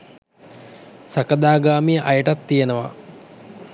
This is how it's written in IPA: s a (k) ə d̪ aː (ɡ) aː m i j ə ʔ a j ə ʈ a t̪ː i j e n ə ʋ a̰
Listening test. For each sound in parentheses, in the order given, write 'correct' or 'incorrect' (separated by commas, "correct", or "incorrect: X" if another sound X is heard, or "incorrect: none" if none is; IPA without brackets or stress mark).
correct, correct